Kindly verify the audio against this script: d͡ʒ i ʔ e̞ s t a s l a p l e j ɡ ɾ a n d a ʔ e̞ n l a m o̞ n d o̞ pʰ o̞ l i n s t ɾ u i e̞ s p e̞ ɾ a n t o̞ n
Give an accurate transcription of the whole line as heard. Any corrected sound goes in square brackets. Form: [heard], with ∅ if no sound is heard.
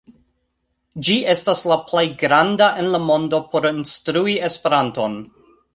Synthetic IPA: d͡ʒ i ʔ e̞ s t a s l a p l e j ɡ ɾ a n d a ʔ e̞ n l a m o̞ n d o̞ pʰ o̞ [ɾ] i n s t ɾ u i e̞ s p e̞ ɾ a n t o̞ n